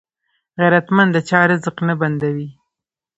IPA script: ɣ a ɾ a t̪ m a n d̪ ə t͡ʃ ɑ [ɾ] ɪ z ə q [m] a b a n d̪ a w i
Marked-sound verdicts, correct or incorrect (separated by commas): correct, incorrect